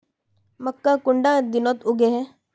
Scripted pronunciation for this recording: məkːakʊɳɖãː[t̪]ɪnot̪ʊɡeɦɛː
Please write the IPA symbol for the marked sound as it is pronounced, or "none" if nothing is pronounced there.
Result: d̪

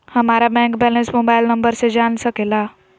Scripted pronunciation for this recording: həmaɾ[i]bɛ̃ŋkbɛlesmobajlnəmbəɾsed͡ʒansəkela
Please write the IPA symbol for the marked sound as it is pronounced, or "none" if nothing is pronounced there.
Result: a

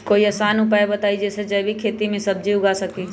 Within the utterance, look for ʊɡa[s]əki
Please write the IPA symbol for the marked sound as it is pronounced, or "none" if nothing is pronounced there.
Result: s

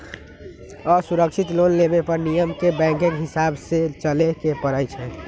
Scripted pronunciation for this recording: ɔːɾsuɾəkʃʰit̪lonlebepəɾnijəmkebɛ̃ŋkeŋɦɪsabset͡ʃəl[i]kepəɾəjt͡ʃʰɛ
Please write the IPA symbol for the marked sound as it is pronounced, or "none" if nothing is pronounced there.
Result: e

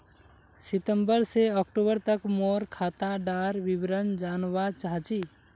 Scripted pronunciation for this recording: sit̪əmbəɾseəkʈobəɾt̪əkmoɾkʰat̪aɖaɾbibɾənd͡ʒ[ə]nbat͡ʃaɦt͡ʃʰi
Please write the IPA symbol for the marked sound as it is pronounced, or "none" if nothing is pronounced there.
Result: a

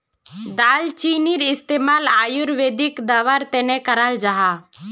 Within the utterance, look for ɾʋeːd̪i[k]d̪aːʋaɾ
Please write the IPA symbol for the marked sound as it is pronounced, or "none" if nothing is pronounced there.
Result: k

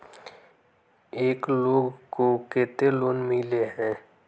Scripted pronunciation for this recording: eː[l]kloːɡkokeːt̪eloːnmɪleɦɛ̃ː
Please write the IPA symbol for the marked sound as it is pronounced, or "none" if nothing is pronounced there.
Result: none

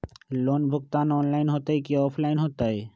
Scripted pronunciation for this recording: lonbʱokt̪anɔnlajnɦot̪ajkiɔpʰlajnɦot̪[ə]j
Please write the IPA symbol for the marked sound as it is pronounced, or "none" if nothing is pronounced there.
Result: a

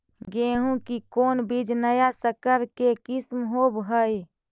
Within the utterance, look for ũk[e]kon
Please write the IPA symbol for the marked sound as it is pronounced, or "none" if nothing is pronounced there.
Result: i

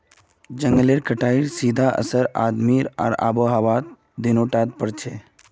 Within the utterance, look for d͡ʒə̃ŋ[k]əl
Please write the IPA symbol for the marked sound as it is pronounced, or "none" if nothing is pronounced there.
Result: ɡ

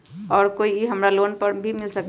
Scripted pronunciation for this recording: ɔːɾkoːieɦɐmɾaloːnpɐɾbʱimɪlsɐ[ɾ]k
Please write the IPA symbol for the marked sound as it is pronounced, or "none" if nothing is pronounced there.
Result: none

